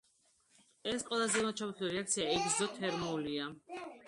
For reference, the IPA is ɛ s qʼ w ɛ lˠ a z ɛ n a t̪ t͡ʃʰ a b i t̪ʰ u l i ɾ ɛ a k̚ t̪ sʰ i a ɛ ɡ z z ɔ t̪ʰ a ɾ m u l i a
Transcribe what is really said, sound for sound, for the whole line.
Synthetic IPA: ɛ s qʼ w ɛ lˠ a z ɛ m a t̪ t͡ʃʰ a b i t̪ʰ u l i ɾ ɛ a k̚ t̪ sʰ i a ɛ ɡ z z ɔ t̪ʰ ɛ ɾ m u l i a